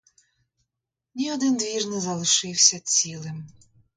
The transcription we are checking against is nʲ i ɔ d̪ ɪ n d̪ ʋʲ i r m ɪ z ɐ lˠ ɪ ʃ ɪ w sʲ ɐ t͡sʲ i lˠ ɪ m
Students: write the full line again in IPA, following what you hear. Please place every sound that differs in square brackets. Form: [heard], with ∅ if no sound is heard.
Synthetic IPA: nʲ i ɔ d̪ ɪ n d̪ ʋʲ i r [n] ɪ z ɐ lˠ ɪ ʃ ɪ w sʲ ɐ t͡sʲ i lˠ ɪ m